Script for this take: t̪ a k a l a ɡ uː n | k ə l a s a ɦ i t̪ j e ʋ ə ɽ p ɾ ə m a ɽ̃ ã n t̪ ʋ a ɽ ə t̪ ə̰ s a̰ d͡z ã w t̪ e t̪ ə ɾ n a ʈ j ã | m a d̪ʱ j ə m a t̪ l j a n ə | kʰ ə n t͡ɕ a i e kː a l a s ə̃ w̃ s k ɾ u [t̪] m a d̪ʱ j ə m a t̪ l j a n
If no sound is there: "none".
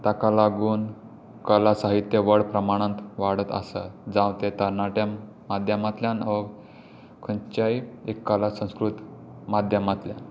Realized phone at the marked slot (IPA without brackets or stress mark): t̪